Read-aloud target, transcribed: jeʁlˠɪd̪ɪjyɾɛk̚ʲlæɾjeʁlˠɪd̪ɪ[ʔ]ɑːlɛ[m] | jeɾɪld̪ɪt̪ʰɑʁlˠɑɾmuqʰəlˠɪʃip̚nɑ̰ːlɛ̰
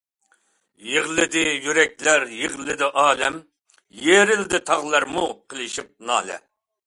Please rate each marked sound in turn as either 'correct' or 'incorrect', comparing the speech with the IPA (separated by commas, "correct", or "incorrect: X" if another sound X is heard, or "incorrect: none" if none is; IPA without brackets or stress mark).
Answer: correct, correct